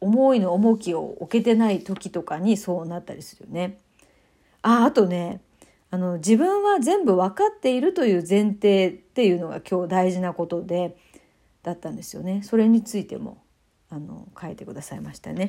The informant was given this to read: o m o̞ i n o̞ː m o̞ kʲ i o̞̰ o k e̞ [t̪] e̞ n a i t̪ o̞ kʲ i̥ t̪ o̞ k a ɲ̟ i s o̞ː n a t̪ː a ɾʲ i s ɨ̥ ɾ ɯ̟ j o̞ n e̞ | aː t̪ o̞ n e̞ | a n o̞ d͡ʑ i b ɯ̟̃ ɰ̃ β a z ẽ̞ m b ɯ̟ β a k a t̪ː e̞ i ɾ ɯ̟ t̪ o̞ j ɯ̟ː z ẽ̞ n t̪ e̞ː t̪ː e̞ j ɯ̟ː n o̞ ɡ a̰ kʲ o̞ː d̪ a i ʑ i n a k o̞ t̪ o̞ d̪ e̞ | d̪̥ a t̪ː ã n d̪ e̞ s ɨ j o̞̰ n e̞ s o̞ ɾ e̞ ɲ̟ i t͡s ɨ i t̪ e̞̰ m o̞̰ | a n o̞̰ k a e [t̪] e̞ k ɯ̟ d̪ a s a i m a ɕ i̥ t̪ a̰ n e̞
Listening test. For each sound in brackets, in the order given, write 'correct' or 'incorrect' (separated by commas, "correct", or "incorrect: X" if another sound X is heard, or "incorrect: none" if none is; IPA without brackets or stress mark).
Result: correct, correct